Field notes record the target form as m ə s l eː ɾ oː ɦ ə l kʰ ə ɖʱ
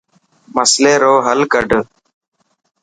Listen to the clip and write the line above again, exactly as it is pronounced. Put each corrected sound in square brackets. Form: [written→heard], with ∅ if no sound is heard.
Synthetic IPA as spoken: m ə s l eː ɾ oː ɦ ə l [kʰ→k] ə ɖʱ